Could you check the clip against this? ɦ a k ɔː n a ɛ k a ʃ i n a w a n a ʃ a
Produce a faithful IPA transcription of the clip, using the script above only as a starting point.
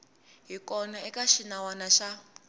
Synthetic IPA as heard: ɦ i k ɔ n a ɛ k a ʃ i n a w a n a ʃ a